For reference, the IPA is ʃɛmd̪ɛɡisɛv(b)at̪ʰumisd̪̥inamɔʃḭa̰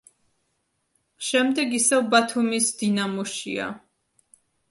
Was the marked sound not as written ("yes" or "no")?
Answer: no